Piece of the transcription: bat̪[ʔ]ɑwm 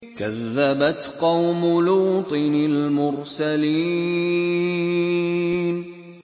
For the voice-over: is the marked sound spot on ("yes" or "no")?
no